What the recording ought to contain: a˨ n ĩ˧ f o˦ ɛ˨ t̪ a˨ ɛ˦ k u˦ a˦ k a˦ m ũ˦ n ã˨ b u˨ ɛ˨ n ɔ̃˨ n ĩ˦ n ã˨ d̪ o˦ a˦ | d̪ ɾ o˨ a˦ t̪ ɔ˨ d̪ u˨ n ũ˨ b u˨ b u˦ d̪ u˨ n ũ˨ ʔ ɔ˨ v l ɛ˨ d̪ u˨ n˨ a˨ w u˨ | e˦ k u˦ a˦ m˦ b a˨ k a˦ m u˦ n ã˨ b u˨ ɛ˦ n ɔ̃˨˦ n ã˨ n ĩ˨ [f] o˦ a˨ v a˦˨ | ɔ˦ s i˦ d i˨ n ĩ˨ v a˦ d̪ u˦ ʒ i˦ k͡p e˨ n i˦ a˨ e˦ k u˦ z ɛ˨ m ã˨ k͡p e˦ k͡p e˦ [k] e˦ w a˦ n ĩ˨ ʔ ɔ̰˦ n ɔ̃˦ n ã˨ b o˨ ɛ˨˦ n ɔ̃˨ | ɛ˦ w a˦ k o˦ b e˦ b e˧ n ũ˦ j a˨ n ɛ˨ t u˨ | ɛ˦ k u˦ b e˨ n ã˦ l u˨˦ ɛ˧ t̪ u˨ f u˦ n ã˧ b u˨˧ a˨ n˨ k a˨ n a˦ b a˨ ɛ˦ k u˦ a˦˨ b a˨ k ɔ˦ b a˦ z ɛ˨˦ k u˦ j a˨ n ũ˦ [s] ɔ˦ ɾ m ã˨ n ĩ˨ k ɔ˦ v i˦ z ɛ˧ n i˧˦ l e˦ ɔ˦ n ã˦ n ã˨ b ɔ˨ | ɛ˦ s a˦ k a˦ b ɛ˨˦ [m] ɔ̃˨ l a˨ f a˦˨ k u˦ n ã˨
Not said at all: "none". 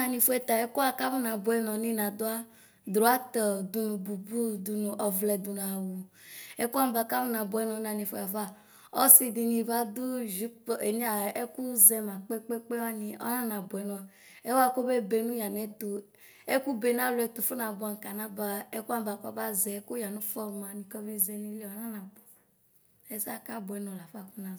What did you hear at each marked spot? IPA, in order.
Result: f, k͡p, f, n

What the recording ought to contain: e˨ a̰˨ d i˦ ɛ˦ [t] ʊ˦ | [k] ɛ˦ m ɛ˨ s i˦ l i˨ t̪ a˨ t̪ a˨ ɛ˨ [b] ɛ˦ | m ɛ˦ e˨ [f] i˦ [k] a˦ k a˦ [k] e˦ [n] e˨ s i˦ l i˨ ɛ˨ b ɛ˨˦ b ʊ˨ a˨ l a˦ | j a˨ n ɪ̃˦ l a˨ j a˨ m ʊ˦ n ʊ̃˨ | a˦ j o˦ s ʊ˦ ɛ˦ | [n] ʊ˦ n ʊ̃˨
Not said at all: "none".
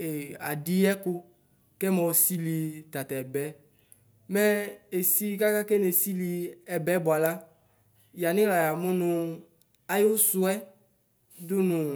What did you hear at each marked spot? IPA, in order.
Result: k, k, b, s, k, k, n, d

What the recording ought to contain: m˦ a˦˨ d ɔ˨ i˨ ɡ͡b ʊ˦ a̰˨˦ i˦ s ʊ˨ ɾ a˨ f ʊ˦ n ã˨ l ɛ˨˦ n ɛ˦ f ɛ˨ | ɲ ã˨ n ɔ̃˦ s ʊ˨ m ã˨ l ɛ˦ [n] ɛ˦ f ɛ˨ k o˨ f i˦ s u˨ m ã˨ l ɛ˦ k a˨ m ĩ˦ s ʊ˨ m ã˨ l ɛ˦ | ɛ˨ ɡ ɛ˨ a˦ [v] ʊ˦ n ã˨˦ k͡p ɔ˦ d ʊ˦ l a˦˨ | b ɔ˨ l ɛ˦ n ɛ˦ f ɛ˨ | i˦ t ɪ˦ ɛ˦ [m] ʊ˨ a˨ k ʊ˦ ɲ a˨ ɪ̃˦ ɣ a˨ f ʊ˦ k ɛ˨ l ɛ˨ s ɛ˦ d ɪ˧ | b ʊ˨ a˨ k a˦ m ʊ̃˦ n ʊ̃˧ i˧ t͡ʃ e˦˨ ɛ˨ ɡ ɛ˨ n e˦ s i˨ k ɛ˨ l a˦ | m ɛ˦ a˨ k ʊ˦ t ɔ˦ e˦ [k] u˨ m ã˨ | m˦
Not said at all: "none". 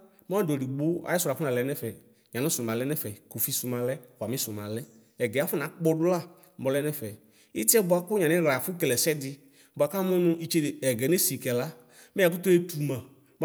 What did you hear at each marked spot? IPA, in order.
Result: n, f, b, t

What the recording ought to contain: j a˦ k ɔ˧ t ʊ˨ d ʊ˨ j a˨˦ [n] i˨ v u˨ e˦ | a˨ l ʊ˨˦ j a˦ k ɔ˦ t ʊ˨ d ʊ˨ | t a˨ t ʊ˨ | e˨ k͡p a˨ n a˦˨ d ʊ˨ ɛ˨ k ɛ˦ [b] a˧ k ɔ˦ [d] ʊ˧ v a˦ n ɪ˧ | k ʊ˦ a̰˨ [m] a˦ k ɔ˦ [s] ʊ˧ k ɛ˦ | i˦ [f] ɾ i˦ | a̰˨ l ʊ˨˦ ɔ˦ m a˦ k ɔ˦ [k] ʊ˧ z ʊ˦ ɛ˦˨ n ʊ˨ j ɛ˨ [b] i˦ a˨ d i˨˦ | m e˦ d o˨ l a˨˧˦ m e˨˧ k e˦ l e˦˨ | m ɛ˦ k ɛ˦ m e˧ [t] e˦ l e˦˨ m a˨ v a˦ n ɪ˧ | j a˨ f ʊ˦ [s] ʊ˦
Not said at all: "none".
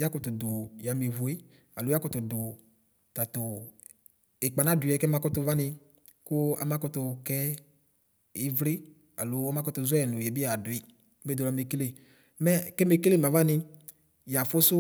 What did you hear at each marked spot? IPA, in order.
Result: m, m, t, m, t, v, t, b, k, s

